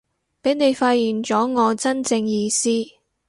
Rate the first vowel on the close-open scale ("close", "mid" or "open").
mid